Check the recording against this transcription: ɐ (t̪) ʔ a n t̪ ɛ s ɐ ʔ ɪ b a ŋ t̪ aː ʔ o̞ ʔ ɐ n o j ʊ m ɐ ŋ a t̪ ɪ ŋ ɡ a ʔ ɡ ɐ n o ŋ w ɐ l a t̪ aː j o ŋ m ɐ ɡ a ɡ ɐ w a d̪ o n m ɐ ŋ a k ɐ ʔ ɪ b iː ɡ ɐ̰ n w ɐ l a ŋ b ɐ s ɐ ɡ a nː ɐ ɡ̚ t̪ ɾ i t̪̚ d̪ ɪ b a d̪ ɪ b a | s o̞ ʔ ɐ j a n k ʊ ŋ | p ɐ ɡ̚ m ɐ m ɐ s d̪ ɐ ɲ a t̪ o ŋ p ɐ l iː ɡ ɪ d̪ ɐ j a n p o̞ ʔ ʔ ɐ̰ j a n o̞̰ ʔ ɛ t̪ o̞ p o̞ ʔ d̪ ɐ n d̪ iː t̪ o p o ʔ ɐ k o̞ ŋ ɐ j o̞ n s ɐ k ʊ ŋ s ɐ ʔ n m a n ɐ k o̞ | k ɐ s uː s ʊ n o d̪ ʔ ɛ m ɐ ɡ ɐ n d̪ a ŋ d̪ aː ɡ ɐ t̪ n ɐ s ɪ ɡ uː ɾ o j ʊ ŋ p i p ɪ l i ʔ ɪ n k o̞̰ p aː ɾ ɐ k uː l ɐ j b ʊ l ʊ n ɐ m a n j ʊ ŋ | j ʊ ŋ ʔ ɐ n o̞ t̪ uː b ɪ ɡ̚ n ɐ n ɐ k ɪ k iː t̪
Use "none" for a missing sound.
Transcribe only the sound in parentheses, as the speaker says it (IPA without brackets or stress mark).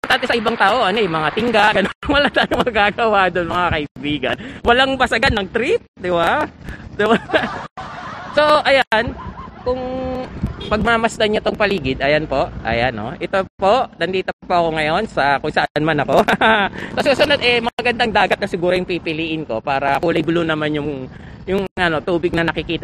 t̪